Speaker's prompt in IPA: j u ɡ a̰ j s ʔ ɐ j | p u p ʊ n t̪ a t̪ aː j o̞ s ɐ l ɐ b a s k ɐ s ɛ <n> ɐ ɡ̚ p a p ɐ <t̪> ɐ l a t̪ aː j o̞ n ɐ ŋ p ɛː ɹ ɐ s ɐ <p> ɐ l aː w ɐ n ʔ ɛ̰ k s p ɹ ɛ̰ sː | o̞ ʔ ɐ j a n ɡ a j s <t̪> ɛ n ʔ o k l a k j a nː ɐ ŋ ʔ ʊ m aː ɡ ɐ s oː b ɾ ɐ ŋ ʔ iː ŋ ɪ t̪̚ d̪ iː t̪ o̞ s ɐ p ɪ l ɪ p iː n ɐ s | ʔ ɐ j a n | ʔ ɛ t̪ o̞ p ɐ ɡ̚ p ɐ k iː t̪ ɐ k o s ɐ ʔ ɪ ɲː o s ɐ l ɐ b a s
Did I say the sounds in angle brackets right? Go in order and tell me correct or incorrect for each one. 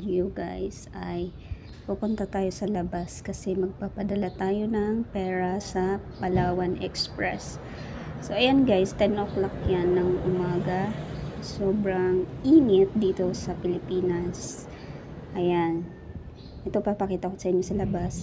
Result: incorrect, incorrect, correct, correct

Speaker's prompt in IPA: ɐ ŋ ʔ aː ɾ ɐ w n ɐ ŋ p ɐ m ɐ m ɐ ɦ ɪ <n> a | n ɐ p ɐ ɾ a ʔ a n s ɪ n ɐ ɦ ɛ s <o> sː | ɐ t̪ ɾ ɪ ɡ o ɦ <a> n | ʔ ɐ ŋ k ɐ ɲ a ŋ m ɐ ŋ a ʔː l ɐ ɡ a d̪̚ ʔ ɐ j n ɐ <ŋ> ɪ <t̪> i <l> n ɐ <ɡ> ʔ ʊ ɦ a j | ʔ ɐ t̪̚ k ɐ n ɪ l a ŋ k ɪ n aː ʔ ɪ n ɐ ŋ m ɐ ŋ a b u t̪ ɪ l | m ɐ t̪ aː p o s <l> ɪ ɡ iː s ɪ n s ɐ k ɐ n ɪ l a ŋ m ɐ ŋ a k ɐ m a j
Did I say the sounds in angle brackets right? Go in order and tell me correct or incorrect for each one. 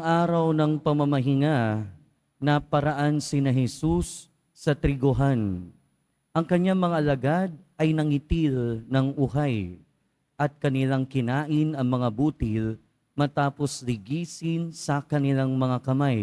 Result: incorrect, incorrect, correct, correct, correct, correct, incorrect, correct

